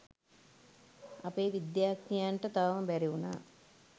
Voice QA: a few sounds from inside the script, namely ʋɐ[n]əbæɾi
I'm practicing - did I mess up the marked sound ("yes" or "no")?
yes